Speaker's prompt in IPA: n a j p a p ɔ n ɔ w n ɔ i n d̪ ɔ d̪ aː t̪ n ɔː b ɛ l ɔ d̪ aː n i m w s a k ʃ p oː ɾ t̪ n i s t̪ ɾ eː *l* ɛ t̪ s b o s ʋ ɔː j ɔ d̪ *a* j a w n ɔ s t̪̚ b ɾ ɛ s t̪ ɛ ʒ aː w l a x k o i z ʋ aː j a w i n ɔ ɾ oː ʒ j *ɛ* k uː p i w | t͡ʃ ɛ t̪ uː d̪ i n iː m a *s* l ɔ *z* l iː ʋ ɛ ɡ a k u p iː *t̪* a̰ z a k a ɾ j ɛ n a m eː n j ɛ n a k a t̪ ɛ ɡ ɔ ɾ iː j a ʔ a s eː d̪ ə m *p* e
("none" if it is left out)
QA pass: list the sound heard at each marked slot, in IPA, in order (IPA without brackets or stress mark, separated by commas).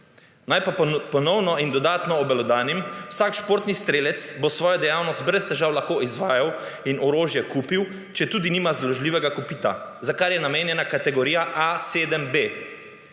l, ɛ, ɛ, z, ʒ, t̪, b